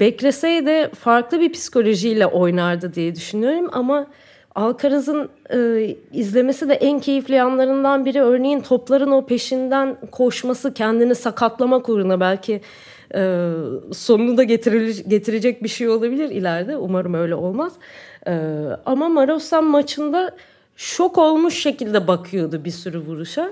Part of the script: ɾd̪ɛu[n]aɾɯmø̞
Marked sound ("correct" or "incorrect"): incorrect